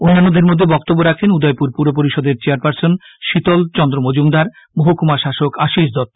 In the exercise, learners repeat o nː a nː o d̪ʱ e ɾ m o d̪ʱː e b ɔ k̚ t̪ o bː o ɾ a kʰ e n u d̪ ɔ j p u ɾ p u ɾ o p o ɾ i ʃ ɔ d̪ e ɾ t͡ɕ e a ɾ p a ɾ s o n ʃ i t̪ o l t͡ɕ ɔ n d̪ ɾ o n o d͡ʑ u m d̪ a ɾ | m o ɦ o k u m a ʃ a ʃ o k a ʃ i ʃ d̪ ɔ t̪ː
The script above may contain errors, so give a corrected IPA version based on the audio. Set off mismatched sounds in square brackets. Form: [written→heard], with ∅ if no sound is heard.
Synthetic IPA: o nː a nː o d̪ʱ e ɾ m o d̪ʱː e b ɔ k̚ t̪ o bː o ɾ a kʰ e n u d̪ ɔ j p u ɾ p u ɾ o p o ɾ i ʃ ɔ d̪ e ɾ t͡ɕ e a ɾ p a ɾ s o n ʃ i t̪ o l t͡ɕ ɔ n d̪ ɾ o [n→m] o d͡ʑ u m d̪ a ɾ | m o ɦ o k u m a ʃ a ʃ o k a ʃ i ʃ d̪ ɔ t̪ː